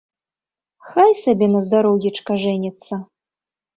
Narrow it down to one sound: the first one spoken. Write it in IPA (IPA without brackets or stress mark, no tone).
x